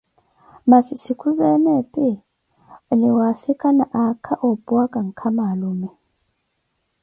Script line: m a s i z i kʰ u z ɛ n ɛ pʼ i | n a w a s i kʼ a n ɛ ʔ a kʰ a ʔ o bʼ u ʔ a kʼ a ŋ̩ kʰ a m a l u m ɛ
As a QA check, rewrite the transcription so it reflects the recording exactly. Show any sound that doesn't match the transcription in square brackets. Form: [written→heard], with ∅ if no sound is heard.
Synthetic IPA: m a s i [z→s] i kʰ u z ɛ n ɛ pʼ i | n [a→i] w a s i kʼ a n [ɛ→a] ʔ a kʰ a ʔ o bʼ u [ʔ→∅] a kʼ a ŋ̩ kʰ a m a l u m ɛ